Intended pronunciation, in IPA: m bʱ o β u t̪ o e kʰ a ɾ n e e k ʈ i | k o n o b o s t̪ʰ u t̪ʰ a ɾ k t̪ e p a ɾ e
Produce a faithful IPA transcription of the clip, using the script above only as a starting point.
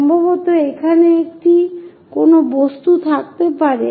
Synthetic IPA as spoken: m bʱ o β o t̪ o e kʰ a n e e k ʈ i | k o n o b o s t̪ u t̪ʰ a k t̪ e p a ɾ e

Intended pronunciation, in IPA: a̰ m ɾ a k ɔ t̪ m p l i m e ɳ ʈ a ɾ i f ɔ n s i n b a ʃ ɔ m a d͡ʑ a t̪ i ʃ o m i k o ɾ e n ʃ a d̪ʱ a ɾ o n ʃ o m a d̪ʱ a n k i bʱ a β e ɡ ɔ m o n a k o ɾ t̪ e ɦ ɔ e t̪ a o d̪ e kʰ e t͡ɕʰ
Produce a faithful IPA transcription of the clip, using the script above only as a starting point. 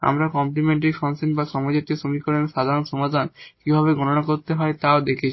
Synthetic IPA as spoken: a̰ m ɾ a k ɔ m p l i m e ɳ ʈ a ɾ i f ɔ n s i n b a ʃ ɔ m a d͡ʑ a t̪ i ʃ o m i k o ɾ e n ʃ a d̪ʱ a ɾ o n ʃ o m a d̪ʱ a n k i bʱ a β e ɡ ɔ n o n a k o ɾ t̪ e ɦ ɔ e t̪ a o d̪ e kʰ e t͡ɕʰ

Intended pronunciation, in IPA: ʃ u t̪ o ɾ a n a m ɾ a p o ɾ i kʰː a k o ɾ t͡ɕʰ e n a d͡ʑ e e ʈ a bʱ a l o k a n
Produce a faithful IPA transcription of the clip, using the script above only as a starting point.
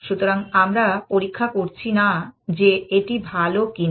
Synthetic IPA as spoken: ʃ u t̪ o ɾ a ŋ a m ɾ a p o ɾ i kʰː a k o ɾ t͡ɕʰ i n a d͡ʑ e e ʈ i bʱ a l o k i n

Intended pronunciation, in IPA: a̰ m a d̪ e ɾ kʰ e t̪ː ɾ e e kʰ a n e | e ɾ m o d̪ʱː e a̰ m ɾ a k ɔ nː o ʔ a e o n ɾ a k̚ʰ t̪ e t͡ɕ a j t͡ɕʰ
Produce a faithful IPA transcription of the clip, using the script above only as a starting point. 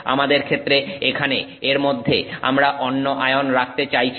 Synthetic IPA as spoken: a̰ m a d̪ e ɾ kʰ e t̪ː ɾ e e kʰ a n e | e ɾ m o d̪ʱː e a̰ m ɾ a ʔ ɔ nː o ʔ a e o n ɾ a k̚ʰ t̪ e t͡ɕ a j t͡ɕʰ

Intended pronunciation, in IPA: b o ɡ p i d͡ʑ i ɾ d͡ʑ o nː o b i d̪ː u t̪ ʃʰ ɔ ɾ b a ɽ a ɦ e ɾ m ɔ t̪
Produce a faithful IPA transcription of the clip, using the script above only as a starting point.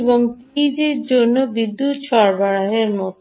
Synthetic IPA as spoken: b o ŋ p i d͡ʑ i ɾ d͡ʑ o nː o b i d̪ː u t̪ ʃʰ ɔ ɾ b a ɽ a ɦ e ɾ m ɔ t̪

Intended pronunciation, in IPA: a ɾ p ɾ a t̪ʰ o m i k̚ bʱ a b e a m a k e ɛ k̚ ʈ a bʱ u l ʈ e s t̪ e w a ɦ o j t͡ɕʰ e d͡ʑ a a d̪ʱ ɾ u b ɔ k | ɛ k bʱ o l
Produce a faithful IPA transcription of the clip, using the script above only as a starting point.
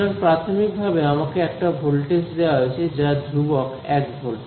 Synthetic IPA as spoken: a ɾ p ɾ a t̪ʰ o m i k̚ bʱ a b e a m a k e ɛ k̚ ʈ a bʱ o l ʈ e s d̪ e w a ɦ o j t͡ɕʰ e d͡ʑ a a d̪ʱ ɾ u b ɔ k | ɛ k bʱ o l

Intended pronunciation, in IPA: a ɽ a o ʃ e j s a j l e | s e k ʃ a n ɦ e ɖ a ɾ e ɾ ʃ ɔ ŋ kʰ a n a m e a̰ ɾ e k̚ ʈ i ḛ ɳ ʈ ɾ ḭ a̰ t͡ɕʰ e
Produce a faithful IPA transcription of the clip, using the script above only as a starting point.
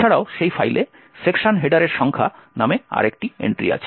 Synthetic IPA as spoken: a ɽ a o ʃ e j f a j l e | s e k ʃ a n ɦ e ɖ a ɾ e ɾ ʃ ɔ ŋ kʰ a n a m e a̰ ɾ e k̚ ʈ i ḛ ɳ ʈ ɾ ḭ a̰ t͡ɕʰ e

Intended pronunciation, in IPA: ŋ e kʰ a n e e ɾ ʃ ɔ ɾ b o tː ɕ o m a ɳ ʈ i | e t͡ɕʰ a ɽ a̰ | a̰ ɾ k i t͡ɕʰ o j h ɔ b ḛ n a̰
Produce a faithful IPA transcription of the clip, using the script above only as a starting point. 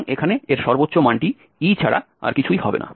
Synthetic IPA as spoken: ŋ e kʰ a n e e ɾ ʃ ɔ ɾ b o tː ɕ o m a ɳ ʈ i | i t͡ɕʰ a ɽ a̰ | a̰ ɾ k i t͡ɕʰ u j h ɔ b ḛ n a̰

